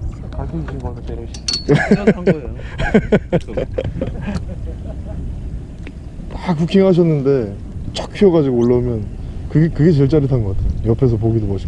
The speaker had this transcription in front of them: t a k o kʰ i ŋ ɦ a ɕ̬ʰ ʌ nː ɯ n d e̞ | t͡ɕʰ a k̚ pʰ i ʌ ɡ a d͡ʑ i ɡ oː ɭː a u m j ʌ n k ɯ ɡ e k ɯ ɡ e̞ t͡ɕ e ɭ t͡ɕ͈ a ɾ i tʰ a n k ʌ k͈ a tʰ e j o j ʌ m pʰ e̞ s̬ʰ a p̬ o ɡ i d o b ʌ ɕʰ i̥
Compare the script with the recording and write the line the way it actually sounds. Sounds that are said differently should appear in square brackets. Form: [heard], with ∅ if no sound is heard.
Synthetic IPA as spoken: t a k [u] kʰ i ŋ ɦ a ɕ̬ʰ ʌ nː ɯ n d e̞ | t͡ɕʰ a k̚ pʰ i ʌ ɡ a d͡ʑ i ɡ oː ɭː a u m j ʌ n k ɯ ɡ e k ɯ ɡ e̞ t͡ɕ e ɭ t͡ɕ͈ a ɾ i tʰ a n [ɡ] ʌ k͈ a tʰ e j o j ʌ [∅] pʰ e̞ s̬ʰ [ʌ] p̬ o ɡ i d o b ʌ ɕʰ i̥